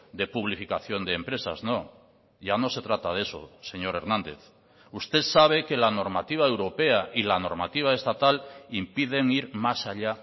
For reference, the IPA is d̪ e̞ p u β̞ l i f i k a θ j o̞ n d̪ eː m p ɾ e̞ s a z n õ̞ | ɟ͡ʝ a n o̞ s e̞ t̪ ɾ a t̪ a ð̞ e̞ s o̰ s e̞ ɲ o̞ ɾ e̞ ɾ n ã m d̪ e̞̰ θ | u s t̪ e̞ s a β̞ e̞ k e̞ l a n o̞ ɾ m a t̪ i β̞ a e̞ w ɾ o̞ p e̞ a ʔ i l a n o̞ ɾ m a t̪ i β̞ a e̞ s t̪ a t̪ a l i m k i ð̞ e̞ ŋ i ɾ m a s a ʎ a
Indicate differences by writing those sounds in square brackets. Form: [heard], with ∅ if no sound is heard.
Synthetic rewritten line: d̪ e̞ p u β̞ l i f i k a θ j o̞ n d̪ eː m p ɾ e̞ s a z n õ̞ | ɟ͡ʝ a n o̞ s e̞ t̪ ɾ a t̪ a ð̞ e̞ s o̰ s e̞ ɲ o̞ ɾ e̞ ɾ n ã [n] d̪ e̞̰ θ | u s t̪ e̞ s a β̞ e̞ k e̞ l a n o̞ ɾ m a t̪ i β̞ a e̞ w ɾ o̞ p e̞ a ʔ i l a n o̞ ɾ m a t̪ i β̞ a e̞ s t̪ a t̪ a l i m [p] i ð̞ e̞ ŋ i ɾ m a s a ʎ a

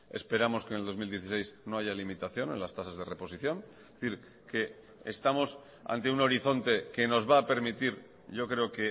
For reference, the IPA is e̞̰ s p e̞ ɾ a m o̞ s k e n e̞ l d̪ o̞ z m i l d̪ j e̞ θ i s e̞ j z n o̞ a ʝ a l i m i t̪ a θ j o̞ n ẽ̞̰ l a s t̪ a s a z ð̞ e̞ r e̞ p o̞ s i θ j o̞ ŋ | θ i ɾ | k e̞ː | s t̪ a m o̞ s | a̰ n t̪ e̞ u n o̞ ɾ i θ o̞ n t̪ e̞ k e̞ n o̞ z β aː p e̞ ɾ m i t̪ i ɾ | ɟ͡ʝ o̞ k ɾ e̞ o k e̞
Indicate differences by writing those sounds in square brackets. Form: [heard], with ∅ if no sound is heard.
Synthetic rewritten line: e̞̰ s p e̞ ɾ a m o̞ s k e n e̞ l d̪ o̞ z m i l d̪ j e̞ θ i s e̞ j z n o̞ a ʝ a l i m i t̪ a θ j o̞ n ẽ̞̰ l a s t̪ a s a z ð̞ e̞ r e̞ p o̞ s i θ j o̞ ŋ | θ i ɾ | k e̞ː | s t̪ a m o̞ s | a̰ n t̪ e̞ u n o̞ ɾ i θ o̞ n t̪ e̞ k e̞ n o̞ z β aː p e̞ ɾ m i t̪ i ɾ | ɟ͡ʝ o̞ k ɾ e̞ o k e̞

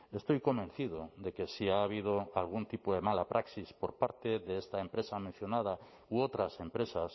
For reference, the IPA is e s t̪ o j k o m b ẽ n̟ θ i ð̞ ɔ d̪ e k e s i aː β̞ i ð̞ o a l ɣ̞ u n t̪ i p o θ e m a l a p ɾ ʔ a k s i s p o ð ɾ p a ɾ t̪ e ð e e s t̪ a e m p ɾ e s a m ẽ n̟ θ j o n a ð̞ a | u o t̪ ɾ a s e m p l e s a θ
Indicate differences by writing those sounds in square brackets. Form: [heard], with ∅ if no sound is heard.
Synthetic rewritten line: e s t̪ o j k o m b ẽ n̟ θ i ð̞ [o] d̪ e k e s i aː β̞ i ð̞ o a l ɣ̞ u n t̪ i p o [ð] e m a l a p ɾ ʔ a k s i s p o [∅] ɾ p a ɾ t̪ e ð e e s t̪ a e m p ɾ e s a m ẽ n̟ θ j o n a ð̞ a | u o t̪ ɾ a s e m p [ɾ] e s a [s]

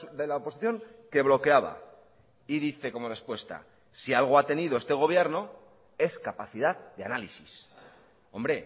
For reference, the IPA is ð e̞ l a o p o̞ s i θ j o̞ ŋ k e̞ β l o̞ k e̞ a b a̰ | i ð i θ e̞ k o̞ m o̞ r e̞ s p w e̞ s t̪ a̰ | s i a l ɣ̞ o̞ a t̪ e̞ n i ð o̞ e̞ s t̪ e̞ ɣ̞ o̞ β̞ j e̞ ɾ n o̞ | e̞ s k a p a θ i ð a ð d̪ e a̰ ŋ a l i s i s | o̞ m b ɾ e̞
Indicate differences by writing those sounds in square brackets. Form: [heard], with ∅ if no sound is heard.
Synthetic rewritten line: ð e̞ l a o p o̞ s i θ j o̞ ŋ k e̞ β l o̞ k e̞ a [β] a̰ | i ð i θ e̞ k o̞ m o̞ r e̞ s p w e̞ s t̪ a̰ | s i a l ɣ̞ o̞ a t̪ e̞ n i ð o̞ e̞ s t̪ e̞ ɣ̞ o̞ β̞ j e̞ ɾ n o̞ | e̞ s k a p a θ i ð a ð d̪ e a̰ [n] a l i s i s | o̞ m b ɾ e̞

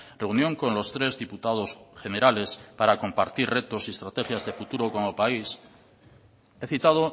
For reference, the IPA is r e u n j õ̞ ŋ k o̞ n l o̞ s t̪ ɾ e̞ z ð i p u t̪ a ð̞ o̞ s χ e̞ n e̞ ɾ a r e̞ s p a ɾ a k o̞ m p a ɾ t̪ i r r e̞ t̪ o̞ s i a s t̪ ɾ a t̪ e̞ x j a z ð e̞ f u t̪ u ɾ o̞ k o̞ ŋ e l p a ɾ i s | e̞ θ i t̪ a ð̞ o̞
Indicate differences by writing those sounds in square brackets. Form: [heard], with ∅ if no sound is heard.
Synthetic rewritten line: r e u n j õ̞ ŋ k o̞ n l o̞ s t̪ ɾ e̞ z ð i p u t̪ a ð̞ o̞ s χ e̞ n e̞ ɾ a [l] e̞ s p a ɾ a k o̞ m p a ɾ t̪ i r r e̞ t̪ o̞ s i [e] s t̪ ɾ a t̪ e̞ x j a z ð e̞ f u t̪ u ɾ o̞ k o̞ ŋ e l p a [∅] i s | e̞ θ i t̪ a ð̞ o̞

